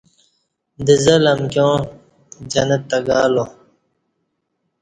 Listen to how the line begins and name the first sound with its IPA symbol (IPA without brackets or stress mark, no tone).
d̪